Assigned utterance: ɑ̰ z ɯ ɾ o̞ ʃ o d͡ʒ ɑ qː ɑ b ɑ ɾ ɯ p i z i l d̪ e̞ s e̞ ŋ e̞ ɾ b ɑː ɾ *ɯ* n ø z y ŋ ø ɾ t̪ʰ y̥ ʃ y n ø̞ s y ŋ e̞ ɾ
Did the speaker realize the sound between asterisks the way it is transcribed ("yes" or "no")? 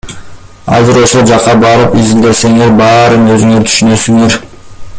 yes